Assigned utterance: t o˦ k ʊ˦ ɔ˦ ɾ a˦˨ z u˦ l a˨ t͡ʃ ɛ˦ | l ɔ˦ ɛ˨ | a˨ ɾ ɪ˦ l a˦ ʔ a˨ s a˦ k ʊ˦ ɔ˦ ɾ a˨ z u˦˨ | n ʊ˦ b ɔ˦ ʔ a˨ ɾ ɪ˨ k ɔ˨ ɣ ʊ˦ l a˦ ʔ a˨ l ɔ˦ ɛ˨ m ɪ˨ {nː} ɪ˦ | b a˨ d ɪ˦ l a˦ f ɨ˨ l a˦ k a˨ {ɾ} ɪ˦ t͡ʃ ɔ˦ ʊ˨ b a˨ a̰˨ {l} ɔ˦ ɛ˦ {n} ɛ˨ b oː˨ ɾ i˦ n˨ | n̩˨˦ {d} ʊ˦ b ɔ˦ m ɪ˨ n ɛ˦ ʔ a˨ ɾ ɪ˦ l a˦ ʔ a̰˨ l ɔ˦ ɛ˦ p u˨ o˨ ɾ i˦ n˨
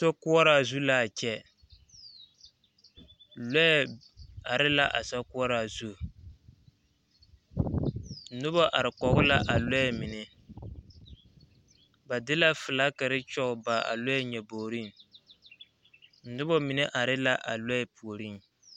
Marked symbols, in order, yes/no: no, yes, yes, no, no

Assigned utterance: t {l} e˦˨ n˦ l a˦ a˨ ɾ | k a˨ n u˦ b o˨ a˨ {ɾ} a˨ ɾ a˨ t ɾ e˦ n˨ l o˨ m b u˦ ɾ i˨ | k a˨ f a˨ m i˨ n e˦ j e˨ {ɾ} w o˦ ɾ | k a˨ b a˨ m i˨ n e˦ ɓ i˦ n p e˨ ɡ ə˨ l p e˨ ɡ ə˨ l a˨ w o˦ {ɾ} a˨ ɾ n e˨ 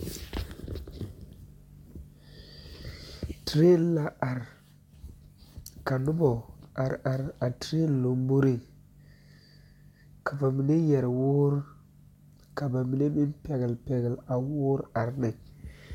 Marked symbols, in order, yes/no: no, yes, yes, yes

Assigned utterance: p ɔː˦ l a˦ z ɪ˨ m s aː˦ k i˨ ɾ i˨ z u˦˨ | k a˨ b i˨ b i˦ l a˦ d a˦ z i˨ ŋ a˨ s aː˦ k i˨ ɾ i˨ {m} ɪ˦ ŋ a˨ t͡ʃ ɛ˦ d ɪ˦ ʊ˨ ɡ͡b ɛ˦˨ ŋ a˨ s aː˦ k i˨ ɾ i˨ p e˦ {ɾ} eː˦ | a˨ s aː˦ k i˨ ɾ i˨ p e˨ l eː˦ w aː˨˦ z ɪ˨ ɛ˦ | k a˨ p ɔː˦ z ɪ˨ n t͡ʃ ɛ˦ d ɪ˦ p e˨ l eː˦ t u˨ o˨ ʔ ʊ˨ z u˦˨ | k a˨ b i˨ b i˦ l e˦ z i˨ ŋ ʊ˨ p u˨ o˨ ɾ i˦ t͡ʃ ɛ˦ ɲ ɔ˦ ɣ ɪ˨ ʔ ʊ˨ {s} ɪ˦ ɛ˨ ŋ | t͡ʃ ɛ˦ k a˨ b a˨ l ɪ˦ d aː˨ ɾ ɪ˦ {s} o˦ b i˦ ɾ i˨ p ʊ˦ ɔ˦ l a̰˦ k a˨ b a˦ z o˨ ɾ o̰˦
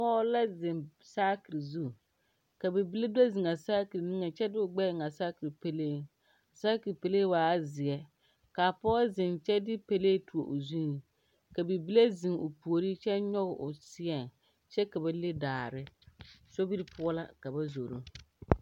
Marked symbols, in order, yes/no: no, no, yes, yes

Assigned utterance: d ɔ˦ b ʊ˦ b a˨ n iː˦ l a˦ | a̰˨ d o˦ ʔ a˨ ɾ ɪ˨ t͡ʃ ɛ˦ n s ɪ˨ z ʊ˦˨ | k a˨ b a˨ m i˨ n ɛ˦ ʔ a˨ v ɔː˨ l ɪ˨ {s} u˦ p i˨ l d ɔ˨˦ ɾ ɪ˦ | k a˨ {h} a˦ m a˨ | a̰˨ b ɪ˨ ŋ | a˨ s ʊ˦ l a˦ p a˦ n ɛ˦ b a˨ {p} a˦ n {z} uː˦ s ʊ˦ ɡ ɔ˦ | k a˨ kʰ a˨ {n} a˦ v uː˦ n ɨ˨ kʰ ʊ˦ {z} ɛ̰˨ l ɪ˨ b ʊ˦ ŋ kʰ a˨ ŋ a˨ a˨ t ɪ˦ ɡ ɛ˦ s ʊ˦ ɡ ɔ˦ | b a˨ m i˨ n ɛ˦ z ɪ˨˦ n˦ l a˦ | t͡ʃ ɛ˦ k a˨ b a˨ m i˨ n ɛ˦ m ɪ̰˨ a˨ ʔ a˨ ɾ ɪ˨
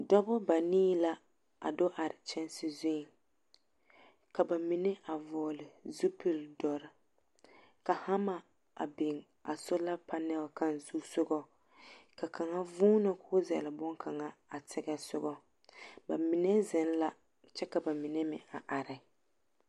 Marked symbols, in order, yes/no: no, yes, no, yes, no, yes

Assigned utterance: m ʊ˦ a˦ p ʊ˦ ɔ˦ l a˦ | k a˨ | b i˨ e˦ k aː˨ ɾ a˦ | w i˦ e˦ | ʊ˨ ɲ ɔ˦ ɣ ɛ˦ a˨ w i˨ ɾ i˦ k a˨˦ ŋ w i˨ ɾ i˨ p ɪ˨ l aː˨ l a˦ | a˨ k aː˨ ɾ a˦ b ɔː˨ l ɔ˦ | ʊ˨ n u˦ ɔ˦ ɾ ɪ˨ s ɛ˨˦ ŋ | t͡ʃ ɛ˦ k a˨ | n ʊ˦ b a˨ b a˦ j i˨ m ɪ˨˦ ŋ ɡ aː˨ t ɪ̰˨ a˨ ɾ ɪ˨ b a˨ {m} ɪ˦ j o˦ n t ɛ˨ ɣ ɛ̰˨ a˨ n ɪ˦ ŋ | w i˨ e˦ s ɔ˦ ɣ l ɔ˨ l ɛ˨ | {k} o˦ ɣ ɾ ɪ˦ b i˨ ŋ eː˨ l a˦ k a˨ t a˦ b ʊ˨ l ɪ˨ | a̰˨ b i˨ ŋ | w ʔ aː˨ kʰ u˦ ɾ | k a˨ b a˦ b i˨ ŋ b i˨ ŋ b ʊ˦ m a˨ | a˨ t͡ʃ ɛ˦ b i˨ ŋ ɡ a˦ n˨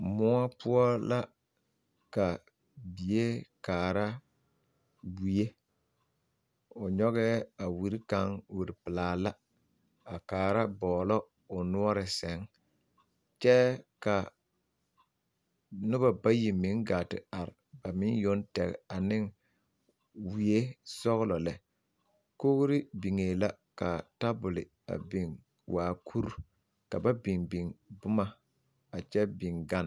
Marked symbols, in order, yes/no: yes, yes

